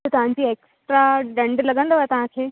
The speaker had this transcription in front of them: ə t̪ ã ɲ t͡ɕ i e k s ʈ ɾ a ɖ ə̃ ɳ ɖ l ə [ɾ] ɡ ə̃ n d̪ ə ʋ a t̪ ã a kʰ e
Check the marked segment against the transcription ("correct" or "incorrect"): incorrect